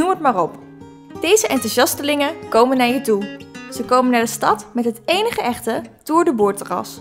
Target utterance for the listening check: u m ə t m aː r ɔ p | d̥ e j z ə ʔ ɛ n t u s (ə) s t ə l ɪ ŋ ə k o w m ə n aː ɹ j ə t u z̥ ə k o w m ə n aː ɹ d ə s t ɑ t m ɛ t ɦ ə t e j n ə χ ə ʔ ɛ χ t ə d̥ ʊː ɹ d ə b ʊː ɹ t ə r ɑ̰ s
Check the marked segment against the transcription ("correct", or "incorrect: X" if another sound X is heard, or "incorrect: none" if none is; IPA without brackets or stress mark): incorrect: ɑ